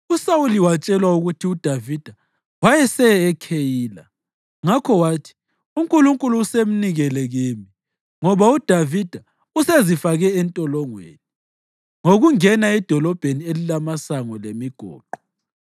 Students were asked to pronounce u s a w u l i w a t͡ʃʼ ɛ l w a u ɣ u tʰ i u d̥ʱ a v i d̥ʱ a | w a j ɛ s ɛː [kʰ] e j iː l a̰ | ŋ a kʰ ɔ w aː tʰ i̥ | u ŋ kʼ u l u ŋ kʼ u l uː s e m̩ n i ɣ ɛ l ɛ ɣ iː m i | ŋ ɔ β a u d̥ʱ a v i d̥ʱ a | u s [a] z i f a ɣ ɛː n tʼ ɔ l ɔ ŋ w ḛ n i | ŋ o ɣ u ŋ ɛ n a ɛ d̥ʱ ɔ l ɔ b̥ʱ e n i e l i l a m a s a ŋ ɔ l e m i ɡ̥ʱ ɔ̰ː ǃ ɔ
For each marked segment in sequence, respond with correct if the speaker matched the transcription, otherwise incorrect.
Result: correct, incorrect

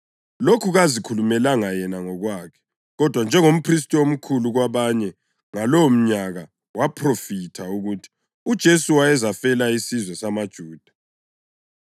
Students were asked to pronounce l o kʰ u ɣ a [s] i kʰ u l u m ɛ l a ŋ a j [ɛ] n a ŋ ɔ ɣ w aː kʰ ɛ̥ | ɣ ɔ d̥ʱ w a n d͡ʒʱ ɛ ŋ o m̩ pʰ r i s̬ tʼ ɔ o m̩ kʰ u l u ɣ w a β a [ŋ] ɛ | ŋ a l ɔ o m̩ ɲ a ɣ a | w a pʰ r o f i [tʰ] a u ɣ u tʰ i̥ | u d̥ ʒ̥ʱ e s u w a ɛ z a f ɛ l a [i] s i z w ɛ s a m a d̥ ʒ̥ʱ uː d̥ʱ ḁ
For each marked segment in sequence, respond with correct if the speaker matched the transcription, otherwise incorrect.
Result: incorrect, correct, incorrect, correct, correct

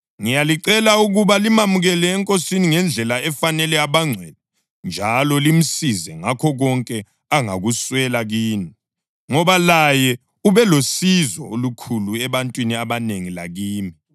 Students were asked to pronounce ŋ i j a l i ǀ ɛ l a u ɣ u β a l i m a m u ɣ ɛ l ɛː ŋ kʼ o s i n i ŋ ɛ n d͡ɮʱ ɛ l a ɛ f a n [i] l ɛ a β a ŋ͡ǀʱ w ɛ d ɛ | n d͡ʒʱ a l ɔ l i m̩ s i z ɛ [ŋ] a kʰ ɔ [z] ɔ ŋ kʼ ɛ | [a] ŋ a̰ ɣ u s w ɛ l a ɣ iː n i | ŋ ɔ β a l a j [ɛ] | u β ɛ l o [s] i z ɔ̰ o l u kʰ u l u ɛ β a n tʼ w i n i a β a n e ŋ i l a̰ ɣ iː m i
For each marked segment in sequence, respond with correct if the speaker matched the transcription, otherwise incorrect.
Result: incorrect, correct, incorrect, correct, correct, correct

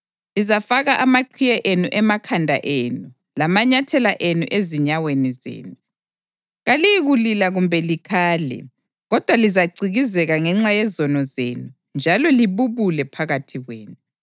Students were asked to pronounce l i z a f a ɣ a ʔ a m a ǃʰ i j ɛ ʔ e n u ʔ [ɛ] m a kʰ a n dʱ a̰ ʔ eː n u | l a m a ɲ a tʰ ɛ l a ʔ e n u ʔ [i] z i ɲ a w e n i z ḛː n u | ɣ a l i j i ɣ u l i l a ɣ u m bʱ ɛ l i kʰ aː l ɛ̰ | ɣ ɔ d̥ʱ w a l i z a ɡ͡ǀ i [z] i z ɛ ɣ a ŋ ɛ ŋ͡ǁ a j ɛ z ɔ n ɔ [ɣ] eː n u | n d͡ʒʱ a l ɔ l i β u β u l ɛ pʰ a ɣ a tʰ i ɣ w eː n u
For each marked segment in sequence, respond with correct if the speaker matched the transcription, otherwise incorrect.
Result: correct, incorrect, incorrect, incorrect

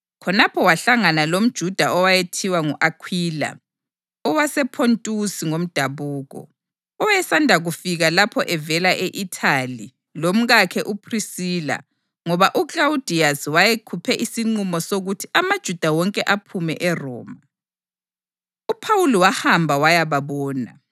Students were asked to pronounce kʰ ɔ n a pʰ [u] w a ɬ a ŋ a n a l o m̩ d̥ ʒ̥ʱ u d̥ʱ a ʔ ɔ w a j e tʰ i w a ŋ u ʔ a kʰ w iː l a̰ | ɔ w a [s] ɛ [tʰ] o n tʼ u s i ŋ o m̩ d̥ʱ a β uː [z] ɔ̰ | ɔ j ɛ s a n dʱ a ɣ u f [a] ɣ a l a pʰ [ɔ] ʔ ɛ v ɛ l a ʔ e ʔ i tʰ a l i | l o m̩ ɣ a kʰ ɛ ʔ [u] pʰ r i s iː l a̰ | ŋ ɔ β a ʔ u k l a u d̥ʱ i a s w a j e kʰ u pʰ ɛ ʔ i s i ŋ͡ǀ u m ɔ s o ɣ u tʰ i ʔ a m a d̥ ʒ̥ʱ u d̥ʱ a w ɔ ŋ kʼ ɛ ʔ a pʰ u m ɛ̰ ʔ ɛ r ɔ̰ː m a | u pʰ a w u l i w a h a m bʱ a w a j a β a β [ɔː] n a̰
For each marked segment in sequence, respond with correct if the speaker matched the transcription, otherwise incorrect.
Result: incorrect, correct, incorrect, incorrect, incorrect, correct, correct, correct

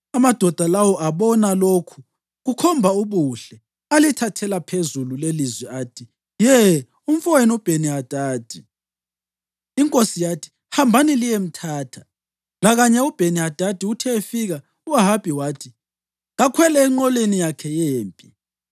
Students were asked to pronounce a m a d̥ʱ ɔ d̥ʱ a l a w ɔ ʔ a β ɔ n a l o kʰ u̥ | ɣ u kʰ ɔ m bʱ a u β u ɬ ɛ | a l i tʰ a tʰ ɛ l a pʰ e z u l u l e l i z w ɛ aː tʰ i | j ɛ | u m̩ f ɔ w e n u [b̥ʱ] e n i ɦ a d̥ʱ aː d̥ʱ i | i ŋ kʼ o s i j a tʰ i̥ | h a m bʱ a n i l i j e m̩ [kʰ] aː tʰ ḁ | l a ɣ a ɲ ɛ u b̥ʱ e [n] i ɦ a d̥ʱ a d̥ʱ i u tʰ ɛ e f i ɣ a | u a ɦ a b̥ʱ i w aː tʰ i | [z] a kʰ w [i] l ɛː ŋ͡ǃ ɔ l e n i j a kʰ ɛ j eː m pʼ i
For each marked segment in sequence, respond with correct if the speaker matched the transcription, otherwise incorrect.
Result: correct, incorrect, correct, incorrect, incorrect

